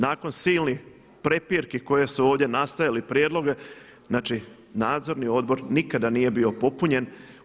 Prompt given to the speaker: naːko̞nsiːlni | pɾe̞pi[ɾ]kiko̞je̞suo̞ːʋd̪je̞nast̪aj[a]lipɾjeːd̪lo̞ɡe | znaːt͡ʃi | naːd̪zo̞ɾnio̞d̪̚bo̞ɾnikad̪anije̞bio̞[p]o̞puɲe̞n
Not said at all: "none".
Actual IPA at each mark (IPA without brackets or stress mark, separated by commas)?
ɾ, a, p